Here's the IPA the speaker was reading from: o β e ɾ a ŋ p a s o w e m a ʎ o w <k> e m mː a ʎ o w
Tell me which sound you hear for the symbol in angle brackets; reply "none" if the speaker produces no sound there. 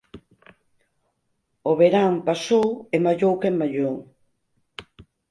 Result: k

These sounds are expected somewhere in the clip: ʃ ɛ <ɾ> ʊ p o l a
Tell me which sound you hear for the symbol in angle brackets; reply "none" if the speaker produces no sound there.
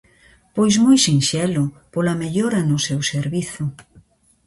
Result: l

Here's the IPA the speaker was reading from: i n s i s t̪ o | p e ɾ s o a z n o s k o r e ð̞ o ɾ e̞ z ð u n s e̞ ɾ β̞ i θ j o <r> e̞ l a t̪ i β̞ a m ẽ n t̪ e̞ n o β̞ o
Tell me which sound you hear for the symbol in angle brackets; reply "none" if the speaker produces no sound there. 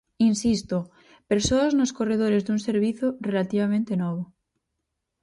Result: r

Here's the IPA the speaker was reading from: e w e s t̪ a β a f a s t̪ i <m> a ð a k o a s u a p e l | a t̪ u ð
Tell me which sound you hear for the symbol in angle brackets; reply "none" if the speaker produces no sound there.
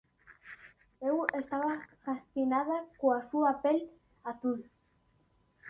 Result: n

